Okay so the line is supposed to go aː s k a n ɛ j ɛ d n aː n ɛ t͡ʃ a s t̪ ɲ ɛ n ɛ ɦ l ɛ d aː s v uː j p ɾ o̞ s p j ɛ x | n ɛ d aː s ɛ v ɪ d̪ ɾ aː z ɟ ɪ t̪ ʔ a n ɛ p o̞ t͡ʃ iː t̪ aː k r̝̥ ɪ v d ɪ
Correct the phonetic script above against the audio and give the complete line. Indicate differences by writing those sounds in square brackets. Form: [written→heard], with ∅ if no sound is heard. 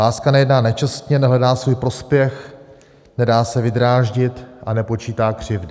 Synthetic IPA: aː s k a n ɛ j ɛ d n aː n ɛ t͡ʃ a s t̪ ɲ ɛ n ɛ ɦ l ɛ d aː s v uː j p ɾ o̞ s p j ɛ x | n ɛ d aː s ɛ v ɪ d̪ ɾ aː [z→ʒ] ɟ ɪ t̪ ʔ a n ɛ p o̞ t͡ʃ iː t̪ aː k r̝̥ ɪ v d ɪ